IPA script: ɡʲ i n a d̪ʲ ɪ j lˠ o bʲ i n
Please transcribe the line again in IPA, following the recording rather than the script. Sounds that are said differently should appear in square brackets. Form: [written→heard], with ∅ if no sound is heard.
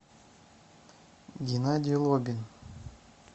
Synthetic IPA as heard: ɡʲ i n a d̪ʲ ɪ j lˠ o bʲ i n